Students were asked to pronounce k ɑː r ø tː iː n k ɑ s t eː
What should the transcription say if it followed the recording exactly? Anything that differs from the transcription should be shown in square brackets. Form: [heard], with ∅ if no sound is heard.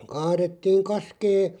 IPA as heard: k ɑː r [e] tː iː [ŋ] k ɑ s [k] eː